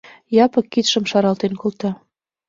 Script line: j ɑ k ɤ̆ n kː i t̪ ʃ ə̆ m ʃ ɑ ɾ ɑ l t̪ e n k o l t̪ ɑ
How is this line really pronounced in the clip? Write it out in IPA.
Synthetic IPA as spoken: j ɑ p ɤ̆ kː i t̪ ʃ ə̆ m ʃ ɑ ɾ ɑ l t̪ e n k o l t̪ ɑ